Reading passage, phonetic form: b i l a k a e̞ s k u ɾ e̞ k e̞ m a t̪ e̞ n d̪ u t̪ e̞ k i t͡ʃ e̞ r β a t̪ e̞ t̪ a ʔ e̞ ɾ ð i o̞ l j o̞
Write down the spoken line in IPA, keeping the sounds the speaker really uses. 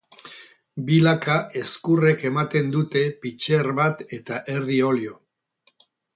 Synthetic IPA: b i l a k a e̞ s k u r e̞ k e̞ m a t̪ e̞ n d̪ u t̪ e̞ p i t͡ʃ e̞ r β a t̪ e̞ t̪ a ʔ e̞ ɾ ð i o̞ l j o̞